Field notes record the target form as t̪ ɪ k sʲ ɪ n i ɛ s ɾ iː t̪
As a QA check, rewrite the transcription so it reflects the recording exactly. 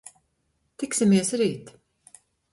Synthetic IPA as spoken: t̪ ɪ k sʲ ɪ m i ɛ s ɾ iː t̪